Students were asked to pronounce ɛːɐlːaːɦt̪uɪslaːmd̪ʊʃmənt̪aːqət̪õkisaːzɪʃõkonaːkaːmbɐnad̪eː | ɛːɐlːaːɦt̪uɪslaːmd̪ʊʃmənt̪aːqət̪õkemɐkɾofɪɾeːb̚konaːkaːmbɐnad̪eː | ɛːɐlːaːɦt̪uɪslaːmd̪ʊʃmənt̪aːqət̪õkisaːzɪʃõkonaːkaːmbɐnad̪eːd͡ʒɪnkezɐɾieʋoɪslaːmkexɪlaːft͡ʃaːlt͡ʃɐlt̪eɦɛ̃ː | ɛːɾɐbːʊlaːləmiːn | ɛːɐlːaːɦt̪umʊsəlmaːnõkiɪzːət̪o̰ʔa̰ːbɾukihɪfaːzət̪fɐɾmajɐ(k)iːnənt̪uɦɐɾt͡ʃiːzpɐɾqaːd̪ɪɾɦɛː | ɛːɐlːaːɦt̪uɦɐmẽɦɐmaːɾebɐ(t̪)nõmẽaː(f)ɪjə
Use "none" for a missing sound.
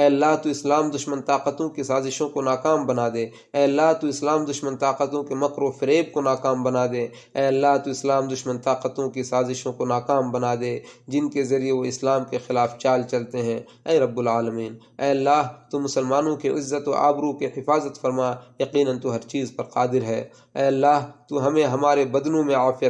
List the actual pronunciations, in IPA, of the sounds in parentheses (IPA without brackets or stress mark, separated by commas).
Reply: q, d̪, f